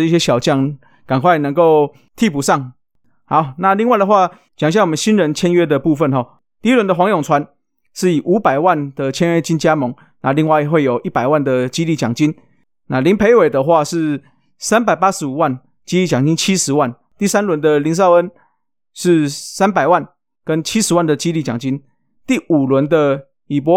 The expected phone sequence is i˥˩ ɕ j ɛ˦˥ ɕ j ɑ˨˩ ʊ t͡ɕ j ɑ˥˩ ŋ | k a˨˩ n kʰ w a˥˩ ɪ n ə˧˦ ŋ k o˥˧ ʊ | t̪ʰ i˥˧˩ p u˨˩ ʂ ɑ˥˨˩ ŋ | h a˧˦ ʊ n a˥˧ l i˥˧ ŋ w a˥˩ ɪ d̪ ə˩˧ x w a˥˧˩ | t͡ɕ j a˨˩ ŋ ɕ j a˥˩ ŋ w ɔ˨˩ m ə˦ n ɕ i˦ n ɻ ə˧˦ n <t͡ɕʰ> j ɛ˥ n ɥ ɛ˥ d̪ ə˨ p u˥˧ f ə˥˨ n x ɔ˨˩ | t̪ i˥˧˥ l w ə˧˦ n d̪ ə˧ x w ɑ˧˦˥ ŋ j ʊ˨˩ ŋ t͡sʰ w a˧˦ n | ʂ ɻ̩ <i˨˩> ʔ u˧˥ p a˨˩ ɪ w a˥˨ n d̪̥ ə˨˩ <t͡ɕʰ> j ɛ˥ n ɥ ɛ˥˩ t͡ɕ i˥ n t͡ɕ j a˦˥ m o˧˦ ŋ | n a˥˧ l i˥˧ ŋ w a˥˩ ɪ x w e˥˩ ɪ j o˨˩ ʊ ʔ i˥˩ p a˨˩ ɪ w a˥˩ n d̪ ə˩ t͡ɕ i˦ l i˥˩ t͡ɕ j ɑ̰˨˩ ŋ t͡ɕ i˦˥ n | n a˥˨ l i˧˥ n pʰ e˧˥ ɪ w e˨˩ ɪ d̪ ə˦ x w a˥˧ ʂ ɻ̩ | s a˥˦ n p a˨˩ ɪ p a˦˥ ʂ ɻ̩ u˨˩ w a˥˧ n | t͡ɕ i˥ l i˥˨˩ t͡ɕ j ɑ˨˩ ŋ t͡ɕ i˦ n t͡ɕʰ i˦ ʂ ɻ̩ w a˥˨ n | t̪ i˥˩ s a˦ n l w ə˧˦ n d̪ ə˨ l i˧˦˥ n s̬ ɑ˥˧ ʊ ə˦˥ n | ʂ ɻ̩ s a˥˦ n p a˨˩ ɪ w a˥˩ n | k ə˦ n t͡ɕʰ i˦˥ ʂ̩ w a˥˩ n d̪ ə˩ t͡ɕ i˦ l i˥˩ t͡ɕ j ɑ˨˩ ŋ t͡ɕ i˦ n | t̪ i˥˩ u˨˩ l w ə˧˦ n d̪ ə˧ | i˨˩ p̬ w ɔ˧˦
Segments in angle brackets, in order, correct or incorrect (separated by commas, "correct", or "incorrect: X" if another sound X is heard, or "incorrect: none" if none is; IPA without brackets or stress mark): correct, correct, correct